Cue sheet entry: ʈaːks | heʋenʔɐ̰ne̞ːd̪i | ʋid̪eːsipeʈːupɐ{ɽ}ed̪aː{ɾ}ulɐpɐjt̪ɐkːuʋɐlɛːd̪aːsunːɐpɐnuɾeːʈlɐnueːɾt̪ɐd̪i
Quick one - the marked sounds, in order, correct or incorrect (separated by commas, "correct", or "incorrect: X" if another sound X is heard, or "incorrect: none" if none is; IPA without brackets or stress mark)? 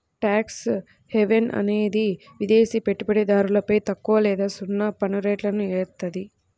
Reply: correct, correct